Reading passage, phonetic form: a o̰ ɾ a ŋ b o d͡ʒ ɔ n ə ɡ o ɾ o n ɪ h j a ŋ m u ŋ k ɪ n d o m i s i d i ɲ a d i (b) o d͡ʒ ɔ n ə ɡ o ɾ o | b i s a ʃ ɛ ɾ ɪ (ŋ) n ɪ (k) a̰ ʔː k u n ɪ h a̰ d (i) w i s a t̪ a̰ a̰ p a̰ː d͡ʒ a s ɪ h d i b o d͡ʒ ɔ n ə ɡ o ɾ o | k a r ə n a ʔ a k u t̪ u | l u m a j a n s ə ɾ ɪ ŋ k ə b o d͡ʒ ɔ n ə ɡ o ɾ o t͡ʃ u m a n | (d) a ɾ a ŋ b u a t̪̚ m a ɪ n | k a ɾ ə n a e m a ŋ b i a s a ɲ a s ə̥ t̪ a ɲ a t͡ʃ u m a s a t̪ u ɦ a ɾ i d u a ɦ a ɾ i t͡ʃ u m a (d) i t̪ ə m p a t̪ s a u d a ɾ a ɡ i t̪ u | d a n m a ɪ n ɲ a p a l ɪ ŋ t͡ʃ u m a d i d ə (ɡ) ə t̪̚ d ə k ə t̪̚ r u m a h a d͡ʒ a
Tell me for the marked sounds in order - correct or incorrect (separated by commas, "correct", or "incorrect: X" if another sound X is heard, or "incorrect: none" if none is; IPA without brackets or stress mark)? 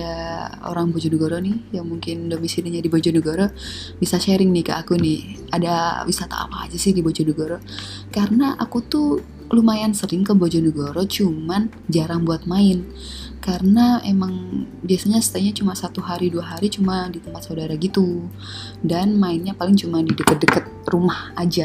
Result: correct, correct, correct, incorrect: a, incorrect: d͡ʒ, correct, incorrect: k